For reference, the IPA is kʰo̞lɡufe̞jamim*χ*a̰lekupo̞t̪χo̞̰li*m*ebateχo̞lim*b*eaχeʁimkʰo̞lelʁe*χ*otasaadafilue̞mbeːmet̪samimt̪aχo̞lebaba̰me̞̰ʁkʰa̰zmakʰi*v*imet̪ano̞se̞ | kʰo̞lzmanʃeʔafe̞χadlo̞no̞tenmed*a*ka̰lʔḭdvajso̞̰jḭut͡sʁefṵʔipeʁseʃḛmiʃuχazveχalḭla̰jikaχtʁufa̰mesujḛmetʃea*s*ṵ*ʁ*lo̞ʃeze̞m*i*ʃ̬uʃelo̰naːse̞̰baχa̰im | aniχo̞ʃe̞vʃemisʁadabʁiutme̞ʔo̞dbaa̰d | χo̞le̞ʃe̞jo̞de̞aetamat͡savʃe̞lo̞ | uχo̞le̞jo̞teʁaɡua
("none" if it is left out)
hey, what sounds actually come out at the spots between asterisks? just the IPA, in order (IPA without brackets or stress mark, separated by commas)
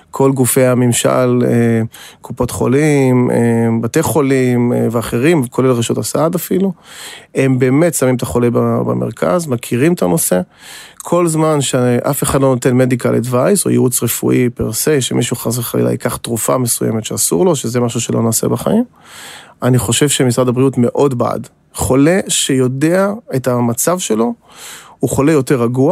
ʃ, m, v, ʃ, ʁ, i, s, ʁ, a